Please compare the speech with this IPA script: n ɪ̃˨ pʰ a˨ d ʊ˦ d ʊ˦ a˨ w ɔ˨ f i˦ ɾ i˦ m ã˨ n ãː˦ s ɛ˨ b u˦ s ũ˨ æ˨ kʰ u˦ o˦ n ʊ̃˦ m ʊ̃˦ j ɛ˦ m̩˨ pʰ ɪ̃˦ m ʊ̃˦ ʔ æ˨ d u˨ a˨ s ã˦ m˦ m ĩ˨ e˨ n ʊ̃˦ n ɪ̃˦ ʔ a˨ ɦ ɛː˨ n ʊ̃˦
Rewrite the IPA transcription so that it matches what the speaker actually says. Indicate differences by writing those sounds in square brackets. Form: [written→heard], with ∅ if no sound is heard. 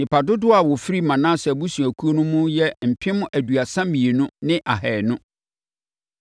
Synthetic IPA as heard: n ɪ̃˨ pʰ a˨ d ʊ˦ d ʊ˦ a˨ w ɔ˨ f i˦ ɾ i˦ m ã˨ n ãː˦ s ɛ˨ b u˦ s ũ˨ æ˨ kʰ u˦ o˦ n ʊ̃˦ m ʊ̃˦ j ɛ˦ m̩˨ pʰ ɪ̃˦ m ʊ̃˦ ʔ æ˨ d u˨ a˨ s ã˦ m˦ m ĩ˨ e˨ n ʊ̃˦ n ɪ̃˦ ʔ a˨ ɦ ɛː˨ n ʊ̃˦